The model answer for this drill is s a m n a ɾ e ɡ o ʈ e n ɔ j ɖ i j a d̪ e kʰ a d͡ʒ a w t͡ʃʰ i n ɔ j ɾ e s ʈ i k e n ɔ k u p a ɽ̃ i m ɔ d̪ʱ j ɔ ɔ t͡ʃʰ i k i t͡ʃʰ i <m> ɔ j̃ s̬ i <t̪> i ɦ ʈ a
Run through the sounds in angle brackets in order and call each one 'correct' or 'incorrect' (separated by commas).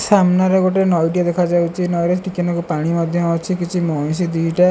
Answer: correct, incorrect